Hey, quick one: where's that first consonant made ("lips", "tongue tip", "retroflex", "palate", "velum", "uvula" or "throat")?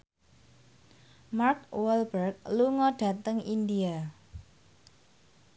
lips